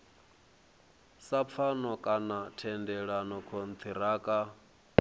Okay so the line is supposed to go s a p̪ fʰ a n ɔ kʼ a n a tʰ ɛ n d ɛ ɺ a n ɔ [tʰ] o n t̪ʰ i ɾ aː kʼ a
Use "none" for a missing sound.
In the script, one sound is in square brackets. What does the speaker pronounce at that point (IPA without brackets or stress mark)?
kʰ